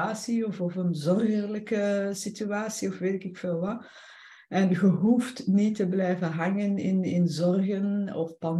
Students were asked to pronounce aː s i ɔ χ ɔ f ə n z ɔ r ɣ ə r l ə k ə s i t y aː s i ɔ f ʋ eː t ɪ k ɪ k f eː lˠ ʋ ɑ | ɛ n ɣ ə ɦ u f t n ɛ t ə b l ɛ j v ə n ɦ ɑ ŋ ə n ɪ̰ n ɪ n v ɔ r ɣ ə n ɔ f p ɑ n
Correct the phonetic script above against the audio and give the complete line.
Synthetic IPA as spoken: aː s i ɔ f ɔ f ə n z ɔ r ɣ ə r l ə k ə s i t y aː s i ɔ f ʋ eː t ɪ k ɪ k f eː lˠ ʋ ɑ | ɛ n ɣ ə ɦ u f t n i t ə b l ɛ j v ə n ɦ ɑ ŋ ə n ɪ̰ n ɪ n z ɔ r ɣ ə n ɔ f p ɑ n